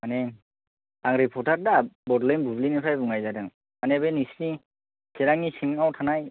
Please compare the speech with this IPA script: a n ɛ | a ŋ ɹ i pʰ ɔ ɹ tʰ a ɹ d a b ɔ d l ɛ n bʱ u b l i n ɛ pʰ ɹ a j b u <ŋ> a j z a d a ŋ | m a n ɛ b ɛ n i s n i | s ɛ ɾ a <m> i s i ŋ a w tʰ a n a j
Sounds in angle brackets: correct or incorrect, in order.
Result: correct, incorrect: ŋ

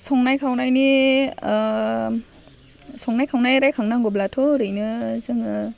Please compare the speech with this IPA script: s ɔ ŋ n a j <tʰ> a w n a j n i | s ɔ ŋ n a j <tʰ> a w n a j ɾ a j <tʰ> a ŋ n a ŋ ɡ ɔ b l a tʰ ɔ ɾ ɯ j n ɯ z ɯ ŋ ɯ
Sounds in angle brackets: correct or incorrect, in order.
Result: incorrect: kʰ, incorrect: kʰ, incorrect: kʰ

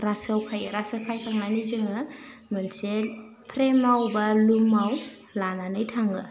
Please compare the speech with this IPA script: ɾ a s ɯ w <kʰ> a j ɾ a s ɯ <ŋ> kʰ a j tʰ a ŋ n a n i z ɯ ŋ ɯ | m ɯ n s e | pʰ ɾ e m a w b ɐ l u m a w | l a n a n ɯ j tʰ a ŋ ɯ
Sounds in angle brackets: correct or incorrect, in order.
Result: correct, incorrect: none

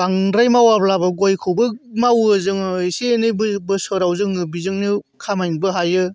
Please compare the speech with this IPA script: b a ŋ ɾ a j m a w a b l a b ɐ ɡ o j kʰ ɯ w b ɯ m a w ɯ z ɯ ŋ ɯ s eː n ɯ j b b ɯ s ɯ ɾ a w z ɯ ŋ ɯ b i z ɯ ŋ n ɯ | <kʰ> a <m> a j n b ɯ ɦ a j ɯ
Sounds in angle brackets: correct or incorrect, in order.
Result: correct, correct

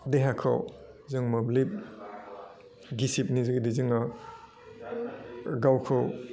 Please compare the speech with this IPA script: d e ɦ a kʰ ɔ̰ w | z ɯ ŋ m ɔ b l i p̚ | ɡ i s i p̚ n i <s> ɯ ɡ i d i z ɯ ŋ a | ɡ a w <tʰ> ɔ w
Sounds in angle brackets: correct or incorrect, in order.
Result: incorrect: z, incorrect: kʰ

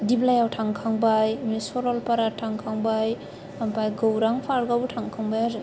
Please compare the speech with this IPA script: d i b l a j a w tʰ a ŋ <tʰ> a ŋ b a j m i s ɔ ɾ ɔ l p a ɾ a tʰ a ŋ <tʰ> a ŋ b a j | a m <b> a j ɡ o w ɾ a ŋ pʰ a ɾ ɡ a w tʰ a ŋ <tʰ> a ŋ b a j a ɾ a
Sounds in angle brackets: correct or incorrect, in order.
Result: incorrect: kʰ, incorrect: kʰ, incorrect: p, incorrect: kʰ

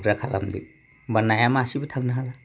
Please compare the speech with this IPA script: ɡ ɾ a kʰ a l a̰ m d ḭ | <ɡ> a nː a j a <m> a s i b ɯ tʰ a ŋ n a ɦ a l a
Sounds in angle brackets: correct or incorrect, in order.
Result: incorrect: b, correct

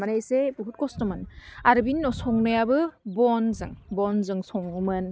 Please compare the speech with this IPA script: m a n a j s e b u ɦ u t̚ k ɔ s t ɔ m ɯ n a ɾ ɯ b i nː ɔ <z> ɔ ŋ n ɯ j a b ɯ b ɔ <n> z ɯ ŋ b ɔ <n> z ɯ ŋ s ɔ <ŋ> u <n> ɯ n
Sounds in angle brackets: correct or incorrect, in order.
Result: incorrect: s, correct, correct, correct, incorrect: m

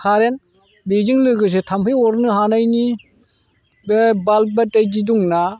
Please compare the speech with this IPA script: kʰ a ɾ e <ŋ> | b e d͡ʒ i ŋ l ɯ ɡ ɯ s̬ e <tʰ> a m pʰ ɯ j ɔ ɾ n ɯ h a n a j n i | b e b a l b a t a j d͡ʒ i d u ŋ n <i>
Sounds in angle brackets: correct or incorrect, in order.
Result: incorrect: n, correct, incorrect: a

